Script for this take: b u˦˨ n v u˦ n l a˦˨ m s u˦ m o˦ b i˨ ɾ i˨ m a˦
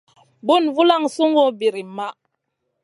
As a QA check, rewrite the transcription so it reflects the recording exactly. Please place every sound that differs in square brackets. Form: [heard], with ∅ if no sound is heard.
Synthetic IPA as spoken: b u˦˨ n v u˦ [∅] l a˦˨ [ŋ] s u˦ [ŋ] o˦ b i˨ ɾ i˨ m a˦